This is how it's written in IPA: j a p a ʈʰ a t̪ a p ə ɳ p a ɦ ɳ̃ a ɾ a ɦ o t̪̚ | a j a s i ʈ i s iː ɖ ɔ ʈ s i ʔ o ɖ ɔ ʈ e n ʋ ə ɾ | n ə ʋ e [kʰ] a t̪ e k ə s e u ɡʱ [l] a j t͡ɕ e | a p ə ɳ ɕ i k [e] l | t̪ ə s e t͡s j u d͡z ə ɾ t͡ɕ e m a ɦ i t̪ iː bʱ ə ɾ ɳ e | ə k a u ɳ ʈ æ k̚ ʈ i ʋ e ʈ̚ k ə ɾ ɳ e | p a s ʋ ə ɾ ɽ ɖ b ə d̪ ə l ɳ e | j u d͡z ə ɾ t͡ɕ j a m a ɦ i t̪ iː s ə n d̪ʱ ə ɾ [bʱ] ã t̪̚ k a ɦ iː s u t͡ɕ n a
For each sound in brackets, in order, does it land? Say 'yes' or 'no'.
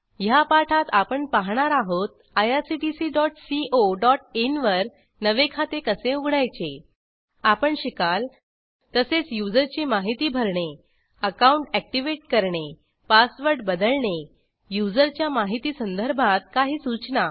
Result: yes, no, no, yes

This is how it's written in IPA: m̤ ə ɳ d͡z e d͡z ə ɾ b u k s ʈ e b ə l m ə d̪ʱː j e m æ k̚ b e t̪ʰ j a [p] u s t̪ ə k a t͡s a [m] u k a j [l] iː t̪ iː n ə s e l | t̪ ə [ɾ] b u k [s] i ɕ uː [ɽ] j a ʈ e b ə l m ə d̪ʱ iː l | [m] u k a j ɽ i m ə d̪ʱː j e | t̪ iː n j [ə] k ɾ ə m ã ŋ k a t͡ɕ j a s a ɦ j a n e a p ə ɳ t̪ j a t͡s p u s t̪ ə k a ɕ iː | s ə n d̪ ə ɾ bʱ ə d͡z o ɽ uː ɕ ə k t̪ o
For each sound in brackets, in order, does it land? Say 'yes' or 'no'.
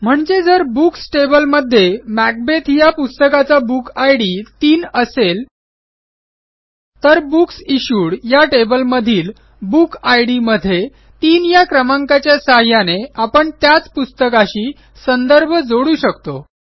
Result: yes, no, no, yes, yes, yes, no, no

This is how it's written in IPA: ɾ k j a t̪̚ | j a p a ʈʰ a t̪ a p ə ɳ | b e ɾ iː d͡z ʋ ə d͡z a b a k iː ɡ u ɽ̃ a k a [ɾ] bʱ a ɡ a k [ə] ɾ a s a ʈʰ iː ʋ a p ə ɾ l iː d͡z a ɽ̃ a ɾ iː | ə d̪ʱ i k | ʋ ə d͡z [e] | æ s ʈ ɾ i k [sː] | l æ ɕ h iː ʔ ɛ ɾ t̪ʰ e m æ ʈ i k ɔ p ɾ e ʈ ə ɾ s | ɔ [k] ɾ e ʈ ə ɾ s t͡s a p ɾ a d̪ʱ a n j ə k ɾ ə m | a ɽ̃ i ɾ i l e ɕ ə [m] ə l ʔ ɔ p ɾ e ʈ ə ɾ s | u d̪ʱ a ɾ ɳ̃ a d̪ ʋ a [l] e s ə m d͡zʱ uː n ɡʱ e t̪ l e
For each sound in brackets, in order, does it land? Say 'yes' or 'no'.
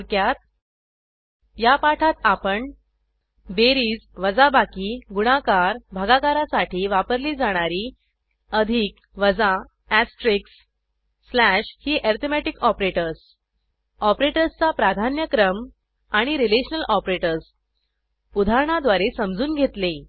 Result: yes, no, no, yes, no, no, no

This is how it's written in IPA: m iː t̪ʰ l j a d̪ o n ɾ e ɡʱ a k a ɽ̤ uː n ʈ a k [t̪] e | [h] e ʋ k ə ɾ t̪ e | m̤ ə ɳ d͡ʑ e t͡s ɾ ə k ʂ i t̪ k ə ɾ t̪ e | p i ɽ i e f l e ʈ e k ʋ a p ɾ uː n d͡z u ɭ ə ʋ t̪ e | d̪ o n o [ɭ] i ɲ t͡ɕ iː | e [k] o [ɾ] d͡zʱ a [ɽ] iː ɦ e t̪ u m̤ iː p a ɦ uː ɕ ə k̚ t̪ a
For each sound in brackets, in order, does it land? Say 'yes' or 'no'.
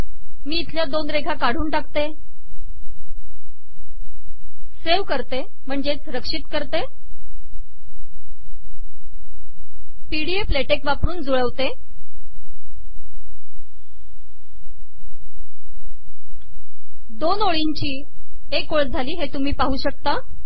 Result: yes, no, yes, yes, no, no

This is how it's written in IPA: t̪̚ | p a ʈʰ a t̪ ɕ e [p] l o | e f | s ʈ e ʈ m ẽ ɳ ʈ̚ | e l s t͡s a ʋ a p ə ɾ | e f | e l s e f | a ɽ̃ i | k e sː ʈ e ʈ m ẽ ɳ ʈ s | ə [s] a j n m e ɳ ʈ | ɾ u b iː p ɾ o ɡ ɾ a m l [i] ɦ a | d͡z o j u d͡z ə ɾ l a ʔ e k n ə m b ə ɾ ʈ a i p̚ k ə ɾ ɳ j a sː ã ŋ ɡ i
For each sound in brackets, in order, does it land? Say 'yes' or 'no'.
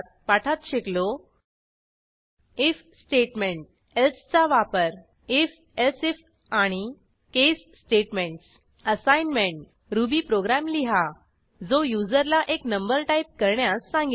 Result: no, yes, yes

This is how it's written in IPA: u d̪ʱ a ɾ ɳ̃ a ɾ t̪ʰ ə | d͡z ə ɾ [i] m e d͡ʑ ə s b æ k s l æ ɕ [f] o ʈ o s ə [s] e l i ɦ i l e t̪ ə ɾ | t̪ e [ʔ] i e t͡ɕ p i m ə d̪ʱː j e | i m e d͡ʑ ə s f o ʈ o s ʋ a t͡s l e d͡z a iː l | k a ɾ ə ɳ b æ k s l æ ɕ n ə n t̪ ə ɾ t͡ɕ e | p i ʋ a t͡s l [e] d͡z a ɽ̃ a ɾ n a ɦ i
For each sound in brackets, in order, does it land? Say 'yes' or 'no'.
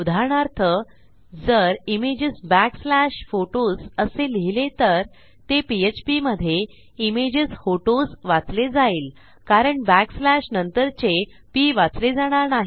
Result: yes, yes, yes, no, yes

